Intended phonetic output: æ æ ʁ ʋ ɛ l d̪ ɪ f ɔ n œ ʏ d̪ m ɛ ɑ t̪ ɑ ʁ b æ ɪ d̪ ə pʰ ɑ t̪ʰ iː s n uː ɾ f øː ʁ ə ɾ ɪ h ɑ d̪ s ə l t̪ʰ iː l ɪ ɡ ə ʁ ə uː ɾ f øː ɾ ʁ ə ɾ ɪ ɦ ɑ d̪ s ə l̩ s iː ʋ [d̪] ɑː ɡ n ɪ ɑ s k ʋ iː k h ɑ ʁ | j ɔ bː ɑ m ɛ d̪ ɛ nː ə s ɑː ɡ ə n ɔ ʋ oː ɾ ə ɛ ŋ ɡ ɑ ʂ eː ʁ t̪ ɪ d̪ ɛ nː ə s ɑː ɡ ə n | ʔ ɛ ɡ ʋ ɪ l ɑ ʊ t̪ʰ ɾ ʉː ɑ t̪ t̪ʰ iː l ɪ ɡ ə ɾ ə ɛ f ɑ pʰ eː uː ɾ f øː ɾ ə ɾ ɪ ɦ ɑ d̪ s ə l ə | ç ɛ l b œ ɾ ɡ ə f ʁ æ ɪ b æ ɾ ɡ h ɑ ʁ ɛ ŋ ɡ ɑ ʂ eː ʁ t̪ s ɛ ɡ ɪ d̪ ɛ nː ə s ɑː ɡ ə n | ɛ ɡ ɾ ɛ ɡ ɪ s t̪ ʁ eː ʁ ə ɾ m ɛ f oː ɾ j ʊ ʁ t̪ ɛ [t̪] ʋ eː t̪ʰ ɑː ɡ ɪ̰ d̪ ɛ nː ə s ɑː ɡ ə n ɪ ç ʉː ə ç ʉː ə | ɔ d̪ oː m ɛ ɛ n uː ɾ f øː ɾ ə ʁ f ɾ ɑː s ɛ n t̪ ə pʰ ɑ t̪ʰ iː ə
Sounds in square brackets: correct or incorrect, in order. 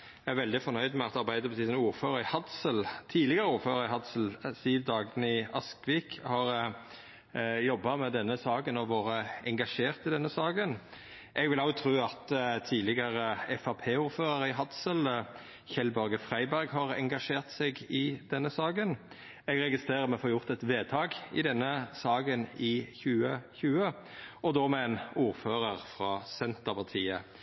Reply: correct, correct

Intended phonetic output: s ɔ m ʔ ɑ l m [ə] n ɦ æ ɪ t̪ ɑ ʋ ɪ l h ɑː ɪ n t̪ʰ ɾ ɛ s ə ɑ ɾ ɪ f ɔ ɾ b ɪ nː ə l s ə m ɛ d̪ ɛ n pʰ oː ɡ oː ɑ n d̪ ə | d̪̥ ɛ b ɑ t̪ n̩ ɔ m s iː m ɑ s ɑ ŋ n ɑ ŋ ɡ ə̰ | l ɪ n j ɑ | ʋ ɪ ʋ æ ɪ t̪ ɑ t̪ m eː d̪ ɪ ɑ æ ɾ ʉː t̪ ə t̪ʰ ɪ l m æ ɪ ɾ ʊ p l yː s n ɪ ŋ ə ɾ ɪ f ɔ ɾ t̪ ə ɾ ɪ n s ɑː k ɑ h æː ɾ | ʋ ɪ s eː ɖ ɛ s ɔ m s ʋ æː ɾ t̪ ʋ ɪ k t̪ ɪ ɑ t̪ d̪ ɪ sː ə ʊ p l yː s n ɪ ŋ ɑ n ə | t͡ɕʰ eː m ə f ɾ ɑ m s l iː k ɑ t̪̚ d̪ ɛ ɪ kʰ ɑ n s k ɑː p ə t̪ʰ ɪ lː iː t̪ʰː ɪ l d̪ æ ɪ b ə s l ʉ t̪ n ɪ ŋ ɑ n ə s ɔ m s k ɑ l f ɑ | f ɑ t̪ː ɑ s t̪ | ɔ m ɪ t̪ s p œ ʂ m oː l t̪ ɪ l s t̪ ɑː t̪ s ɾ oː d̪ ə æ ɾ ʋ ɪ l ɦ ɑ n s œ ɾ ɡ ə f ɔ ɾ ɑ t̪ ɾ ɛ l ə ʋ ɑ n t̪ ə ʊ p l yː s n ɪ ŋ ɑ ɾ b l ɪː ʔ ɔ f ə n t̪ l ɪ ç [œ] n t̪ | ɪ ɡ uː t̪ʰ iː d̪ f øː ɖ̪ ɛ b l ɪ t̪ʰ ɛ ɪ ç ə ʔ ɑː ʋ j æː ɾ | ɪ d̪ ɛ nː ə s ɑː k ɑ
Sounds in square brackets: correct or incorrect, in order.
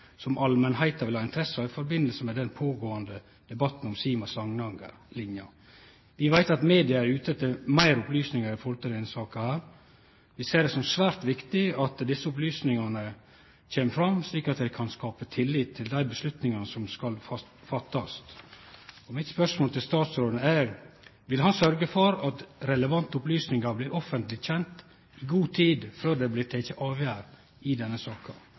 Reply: correct, incorrect: ɛ

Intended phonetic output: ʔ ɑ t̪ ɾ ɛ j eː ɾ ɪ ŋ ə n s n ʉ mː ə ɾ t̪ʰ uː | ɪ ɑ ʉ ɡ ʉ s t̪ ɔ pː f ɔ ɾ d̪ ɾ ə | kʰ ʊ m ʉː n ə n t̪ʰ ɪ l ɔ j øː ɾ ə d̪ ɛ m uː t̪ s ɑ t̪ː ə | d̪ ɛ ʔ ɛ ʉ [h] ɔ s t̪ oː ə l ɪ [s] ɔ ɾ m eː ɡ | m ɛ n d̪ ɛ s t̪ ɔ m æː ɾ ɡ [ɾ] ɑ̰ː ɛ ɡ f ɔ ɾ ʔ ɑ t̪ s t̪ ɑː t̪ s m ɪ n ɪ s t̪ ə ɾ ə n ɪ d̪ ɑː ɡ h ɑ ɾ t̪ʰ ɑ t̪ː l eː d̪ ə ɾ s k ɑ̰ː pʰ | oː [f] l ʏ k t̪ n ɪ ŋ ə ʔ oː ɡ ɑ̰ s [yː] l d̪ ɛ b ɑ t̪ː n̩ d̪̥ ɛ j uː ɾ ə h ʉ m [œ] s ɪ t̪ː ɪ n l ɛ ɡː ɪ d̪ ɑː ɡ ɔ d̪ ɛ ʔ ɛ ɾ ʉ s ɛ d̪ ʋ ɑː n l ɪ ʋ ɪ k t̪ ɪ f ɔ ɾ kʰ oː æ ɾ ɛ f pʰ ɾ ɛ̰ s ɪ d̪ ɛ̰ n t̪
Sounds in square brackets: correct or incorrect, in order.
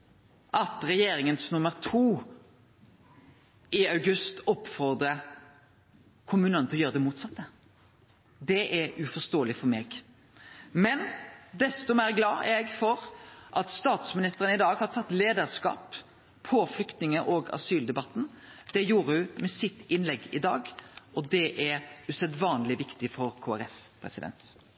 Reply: incorrect: f, incorrect: f, incorrect: l, correct, correct, incorrect: ɛ

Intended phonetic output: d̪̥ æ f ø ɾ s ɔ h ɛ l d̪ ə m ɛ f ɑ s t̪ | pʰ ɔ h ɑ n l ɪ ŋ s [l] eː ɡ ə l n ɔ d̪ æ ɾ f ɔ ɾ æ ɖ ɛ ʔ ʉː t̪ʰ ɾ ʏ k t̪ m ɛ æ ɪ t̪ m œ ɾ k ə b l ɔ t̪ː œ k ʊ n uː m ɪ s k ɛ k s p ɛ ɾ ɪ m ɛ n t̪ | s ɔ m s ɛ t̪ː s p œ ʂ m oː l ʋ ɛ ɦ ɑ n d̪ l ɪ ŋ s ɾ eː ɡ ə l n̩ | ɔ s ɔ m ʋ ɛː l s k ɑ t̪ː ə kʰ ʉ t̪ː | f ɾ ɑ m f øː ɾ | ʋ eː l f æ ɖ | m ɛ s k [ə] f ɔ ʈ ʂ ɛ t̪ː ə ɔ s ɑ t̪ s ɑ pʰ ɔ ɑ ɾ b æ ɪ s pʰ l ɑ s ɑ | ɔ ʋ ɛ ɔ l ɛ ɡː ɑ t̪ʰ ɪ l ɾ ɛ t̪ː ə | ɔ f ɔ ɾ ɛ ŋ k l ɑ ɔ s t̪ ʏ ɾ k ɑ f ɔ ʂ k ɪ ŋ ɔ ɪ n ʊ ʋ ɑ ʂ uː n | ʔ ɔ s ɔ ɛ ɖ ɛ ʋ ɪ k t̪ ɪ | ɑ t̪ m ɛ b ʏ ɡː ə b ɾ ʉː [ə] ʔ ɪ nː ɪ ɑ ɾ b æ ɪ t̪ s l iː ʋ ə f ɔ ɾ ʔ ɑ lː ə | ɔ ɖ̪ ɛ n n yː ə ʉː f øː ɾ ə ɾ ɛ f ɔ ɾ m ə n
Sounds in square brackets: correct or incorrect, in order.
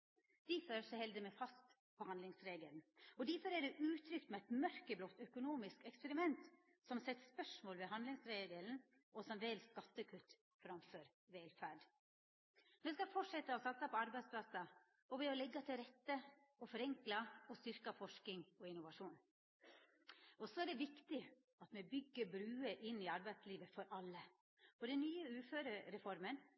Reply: incorrect: ɾ, incorrect: ɑ, correct

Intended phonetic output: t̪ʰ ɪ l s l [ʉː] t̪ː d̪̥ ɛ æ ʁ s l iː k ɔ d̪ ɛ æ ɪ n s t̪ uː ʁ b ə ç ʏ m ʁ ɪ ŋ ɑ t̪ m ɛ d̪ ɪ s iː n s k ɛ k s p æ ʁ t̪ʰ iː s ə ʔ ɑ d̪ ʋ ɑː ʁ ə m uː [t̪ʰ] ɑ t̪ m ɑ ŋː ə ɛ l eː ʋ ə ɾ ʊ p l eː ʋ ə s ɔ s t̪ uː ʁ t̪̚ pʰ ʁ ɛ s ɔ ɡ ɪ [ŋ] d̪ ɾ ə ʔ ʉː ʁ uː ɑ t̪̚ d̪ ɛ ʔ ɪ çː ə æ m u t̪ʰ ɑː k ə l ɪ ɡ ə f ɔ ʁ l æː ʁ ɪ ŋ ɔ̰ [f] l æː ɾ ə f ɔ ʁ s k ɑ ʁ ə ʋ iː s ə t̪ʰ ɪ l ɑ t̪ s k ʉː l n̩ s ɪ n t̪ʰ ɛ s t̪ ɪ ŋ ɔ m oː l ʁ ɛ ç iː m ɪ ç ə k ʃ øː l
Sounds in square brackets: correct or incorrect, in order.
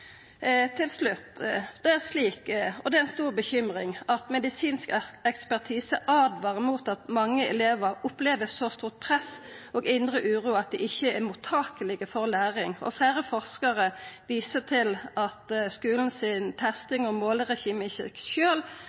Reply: incorrect: ʉ, incorrect: t̪, incorrect: n, correct

